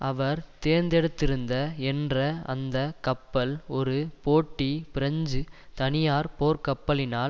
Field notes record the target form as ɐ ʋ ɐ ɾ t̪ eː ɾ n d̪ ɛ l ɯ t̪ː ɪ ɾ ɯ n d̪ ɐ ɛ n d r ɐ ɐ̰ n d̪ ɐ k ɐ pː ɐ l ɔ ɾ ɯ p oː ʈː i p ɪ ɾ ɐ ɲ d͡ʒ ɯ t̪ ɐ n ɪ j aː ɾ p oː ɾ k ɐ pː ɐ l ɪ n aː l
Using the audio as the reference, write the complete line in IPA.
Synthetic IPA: ɐ ʋ ɐ ɾ t̪ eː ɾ n d̪ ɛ ɽ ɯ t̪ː ɪ ɾ ɯ n d̪ ɐ ɛ n d r ɐ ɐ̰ n d̪ ɐ k ɐ pː ɐ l ɔ ɾ ɯ p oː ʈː i p ɪ ɾ ɐ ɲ d͡ʒ ɯ t̪ ɐ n ɪ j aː ɾ p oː ɾ k ɐ pː ɐ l ɪ n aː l